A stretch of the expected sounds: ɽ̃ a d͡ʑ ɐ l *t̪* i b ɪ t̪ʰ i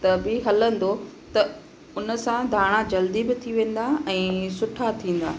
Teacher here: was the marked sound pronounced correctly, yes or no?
no